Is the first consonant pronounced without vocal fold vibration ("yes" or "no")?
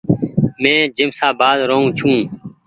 no